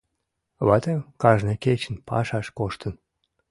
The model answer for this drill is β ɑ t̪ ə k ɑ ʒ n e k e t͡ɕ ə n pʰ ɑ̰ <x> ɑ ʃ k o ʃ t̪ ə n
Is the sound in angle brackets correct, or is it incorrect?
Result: incorrect